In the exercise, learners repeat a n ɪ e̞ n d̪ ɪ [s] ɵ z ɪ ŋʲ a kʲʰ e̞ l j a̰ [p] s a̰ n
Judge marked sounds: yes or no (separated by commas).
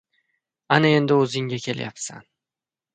no, yes